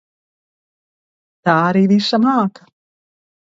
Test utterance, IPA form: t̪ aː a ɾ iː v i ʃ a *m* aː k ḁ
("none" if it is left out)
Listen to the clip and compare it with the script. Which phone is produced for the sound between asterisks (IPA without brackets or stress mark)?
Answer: m